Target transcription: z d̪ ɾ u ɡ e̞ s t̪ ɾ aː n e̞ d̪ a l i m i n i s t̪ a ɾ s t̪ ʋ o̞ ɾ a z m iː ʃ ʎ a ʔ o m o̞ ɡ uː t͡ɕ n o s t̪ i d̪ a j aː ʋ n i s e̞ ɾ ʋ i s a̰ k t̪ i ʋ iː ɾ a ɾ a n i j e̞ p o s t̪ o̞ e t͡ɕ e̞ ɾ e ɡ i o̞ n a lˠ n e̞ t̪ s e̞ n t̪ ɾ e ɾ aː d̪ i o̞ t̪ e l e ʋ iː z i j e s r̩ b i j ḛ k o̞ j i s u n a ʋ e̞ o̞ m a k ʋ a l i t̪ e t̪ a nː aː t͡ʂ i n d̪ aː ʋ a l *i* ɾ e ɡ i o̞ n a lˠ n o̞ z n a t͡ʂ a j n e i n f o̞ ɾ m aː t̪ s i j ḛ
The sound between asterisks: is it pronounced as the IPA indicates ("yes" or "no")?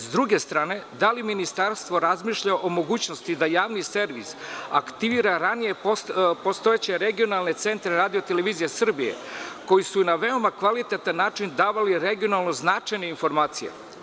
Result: yes